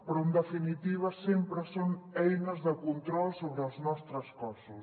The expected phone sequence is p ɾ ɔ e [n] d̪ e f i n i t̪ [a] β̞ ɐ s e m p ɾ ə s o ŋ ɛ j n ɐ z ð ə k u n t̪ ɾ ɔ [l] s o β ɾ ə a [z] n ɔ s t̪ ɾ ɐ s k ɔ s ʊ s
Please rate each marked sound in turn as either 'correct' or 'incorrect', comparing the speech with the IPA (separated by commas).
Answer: correct, incorrect, correct, correct